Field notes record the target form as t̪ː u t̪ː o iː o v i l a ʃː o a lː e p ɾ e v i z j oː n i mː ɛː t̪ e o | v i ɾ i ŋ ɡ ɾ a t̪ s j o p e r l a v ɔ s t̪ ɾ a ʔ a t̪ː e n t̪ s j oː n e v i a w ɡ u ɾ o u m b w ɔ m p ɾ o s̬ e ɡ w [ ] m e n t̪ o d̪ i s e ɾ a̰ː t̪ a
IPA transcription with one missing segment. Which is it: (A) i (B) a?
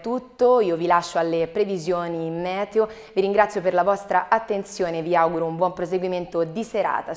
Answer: A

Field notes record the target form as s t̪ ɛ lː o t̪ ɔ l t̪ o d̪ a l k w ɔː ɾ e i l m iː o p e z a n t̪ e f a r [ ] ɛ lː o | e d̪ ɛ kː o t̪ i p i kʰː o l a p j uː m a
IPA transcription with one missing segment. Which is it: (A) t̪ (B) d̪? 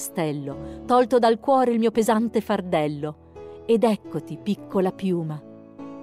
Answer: B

